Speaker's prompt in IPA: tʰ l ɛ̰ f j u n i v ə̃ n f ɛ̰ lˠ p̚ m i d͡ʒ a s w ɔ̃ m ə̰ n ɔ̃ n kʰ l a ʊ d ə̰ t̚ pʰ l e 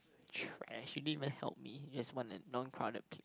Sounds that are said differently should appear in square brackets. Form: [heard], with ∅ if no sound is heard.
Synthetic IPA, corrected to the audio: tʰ [ɹ] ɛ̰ [ʃ] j u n i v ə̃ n [h] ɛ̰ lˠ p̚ m i d͡ʒ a s w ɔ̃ [n] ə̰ n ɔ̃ n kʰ [ɹ] a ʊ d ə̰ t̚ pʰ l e